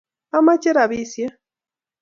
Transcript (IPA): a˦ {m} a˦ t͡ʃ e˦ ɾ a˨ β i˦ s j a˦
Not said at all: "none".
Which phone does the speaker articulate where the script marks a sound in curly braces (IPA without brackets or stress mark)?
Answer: m